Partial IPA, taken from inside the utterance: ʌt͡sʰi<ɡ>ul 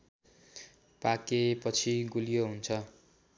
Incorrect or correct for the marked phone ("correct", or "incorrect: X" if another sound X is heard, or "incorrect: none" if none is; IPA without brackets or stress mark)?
correct